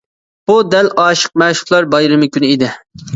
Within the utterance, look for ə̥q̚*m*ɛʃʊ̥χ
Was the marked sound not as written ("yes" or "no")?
no